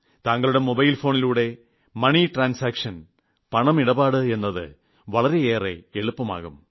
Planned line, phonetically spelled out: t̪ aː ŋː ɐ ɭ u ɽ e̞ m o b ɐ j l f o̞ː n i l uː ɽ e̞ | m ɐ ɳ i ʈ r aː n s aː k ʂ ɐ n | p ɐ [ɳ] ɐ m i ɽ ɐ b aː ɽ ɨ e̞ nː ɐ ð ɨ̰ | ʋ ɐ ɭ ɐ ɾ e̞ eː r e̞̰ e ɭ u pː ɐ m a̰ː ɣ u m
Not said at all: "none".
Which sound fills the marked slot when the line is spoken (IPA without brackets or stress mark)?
ɳ